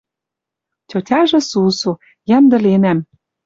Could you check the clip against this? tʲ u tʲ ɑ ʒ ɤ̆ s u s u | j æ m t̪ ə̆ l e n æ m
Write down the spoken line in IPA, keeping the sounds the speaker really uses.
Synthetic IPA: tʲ o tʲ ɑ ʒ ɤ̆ s u s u | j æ m d̪ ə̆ l e n æ m